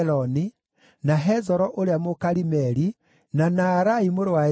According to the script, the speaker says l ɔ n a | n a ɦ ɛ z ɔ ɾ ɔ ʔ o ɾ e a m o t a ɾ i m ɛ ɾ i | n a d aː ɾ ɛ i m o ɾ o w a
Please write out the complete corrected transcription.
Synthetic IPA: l ɔ n i | n a ɦ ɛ z ɔ ɾ ɔ ʔ o ɾ e a m o k a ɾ i m ɛ ɾ i | n a n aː ɾ a i m o ɾ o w a